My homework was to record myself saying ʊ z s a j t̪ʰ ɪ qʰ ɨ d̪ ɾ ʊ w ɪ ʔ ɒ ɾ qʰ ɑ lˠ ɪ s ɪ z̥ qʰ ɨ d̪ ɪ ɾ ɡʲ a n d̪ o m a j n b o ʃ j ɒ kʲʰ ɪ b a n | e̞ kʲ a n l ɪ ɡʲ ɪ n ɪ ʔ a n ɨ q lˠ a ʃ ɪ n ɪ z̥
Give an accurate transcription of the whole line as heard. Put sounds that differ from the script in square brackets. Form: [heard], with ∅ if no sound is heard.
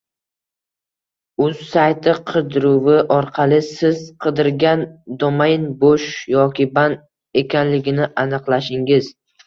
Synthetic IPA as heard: ʊ z s a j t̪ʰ ɪ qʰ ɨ d̪ ɾ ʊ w ɪ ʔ ɒ ɾ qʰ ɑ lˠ ɪ s ɪ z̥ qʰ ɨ d̪ ɪ ɾ ɡʲ a n d̪ o m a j n b o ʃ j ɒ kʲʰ ɪ b a n | e̞ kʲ a n l ɪ ɡʲ ɪ n ɪ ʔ a n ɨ q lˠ a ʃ ɪ [ŋ] ɪ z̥